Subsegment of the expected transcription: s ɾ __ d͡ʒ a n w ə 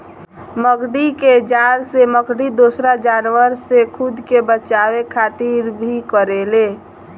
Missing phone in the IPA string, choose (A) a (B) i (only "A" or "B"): A